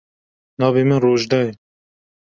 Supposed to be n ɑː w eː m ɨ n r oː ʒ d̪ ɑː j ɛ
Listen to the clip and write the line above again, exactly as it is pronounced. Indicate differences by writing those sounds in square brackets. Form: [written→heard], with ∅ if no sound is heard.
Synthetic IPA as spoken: n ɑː [w→v] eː m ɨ n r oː ʒ d̪ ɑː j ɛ